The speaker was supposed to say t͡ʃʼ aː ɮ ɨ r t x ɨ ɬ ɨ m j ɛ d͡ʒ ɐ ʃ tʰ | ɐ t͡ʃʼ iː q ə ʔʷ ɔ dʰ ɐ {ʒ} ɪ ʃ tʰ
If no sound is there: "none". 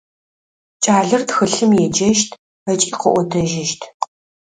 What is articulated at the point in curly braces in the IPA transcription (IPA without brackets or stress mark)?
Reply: ʒ